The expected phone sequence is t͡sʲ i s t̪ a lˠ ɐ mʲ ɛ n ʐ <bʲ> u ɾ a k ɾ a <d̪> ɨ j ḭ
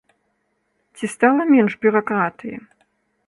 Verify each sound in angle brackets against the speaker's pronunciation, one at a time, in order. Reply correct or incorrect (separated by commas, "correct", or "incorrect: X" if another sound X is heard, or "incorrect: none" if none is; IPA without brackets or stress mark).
correct, incorrect: t̪